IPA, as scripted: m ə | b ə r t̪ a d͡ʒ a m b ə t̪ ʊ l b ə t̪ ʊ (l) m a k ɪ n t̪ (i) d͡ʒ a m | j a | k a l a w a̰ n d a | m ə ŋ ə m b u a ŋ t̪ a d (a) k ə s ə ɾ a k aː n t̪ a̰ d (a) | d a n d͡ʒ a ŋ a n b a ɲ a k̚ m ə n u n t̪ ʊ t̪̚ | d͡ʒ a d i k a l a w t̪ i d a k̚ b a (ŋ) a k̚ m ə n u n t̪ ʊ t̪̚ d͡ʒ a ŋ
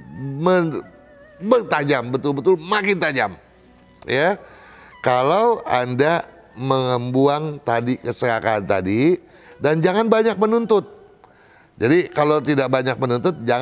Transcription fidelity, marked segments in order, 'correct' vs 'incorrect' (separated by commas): correct, incorrect, incorrect, incorrect, incorrect